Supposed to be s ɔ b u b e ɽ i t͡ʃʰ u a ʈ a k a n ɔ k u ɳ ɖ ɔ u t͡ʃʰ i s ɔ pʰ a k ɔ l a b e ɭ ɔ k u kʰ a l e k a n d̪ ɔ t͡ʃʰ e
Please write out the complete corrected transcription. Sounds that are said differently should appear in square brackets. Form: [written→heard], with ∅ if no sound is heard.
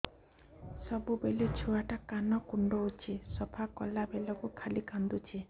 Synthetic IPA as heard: s ɔ b u b e [ɽ→l] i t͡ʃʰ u a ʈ a k a n ɔ k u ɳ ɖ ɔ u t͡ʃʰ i s ɔ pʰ a k ɔ l a b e [ɭ→l] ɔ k u kʰ a l [e→i] k a n d̪ [ɔ→u] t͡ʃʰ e